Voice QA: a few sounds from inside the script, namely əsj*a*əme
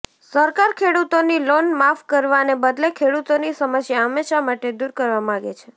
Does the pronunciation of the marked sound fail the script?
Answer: no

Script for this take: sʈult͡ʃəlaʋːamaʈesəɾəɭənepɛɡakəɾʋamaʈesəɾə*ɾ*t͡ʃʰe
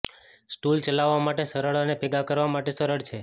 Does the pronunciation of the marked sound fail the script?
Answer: yes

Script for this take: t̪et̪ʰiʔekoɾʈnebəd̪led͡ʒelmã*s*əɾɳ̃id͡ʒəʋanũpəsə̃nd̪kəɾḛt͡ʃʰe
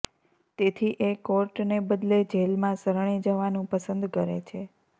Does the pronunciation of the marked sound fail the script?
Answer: no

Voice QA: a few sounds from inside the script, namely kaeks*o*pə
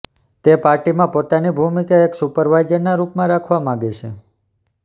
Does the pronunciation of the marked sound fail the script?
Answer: yes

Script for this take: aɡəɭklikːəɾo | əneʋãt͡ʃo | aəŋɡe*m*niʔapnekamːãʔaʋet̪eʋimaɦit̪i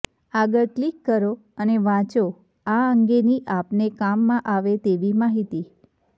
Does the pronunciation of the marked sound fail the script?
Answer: yes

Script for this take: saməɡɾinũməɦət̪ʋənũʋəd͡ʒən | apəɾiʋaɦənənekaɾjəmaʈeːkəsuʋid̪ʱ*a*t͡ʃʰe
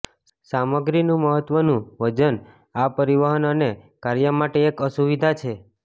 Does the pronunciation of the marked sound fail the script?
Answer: no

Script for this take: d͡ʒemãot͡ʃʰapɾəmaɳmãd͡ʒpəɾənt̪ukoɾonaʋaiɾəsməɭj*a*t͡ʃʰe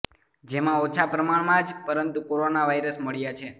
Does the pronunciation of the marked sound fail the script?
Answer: no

